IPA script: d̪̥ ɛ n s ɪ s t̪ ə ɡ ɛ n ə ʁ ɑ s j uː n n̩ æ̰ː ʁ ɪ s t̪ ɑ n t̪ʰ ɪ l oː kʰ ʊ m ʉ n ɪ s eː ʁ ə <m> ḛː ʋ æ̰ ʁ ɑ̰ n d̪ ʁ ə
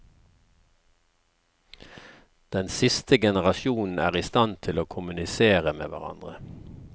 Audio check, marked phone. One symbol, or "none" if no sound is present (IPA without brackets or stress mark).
m